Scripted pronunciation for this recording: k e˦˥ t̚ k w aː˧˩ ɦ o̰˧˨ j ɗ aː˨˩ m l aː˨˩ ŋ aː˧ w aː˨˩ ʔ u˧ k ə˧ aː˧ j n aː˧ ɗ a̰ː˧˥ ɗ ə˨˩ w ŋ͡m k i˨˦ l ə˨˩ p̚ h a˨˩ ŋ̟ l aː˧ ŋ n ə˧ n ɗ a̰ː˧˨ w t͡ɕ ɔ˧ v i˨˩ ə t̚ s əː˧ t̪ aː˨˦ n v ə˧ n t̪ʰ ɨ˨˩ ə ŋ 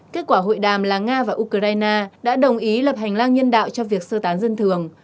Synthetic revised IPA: k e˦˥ t̚ k w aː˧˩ ɦ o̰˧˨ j ɗ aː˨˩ m l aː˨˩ ŋ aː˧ v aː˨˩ ʔ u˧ k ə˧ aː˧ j n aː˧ ɗ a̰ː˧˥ ɗ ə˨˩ w ŋ͡m ʔ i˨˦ l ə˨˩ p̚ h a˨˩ ŋ̟ l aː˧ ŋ ɲ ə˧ n ɗ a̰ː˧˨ w t͡ɕ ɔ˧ v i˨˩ ə k̚ s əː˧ t̪ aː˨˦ n z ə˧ n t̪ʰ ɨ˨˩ ə ŋ